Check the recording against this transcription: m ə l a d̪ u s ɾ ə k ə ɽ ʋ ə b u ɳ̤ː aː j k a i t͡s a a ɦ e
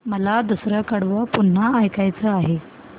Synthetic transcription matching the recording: m ə l a d̪ u s ɾ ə k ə ɽ ʋ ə p u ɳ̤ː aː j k a j t͡s ə a ɦ e